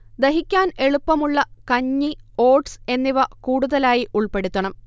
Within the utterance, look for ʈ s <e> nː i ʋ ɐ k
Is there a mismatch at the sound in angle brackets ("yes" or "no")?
no